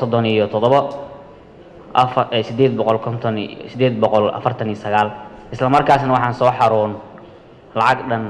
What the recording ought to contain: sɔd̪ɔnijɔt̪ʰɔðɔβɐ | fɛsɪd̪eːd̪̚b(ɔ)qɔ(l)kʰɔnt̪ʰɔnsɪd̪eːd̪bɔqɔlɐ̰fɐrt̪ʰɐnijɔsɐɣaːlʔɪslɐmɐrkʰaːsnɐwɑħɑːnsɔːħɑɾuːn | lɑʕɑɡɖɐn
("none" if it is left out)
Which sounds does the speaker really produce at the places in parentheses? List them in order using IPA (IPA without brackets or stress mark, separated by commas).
ɔ, l